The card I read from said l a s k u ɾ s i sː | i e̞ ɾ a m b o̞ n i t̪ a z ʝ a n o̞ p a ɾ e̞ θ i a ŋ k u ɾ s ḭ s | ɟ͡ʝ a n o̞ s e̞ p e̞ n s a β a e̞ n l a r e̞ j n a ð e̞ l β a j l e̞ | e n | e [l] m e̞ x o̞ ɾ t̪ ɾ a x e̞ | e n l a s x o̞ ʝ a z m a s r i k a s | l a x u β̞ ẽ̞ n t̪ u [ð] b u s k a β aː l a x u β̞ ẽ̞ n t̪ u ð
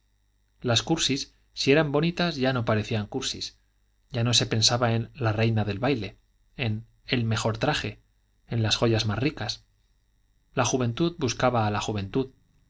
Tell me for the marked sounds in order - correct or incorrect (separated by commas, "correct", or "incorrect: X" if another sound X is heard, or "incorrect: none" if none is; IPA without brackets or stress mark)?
correct, correct